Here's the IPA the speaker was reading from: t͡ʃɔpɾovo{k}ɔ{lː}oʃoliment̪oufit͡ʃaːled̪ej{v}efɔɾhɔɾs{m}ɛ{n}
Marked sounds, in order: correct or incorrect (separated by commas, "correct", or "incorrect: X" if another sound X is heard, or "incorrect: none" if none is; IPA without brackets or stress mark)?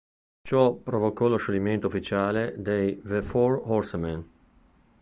correct, incorrect: l, correct, correct, correct